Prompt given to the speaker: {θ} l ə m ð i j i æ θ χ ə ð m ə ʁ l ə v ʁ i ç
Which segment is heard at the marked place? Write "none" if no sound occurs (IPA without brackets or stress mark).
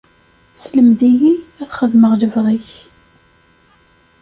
s